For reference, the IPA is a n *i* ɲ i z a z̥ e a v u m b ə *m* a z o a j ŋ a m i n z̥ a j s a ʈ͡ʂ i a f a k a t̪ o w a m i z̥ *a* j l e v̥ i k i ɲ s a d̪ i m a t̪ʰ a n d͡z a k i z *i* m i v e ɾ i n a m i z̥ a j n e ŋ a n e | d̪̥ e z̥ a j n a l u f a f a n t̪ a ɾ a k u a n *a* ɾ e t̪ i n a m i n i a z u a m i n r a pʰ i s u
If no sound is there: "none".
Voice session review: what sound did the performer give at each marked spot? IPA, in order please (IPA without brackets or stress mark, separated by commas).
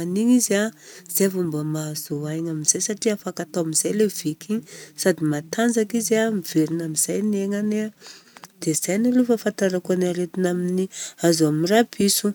i, m, a, a, a